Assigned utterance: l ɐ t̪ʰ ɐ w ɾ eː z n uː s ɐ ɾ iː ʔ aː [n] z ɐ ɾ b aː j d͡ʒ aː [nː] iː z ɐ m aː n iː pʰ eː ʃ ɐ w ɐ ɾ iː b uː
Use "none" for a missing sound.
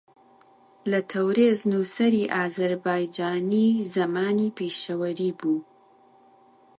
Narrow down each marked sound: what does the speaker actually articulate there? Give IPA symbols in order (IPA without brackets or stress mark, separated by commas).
none, n